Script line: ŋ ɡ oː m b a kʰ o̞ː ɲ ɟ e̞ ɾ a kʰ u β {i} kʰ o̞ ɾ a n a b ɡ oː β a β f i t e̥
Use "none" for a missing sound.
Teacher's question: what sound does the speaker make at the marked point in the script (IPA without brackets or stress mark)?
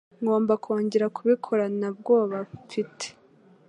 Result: i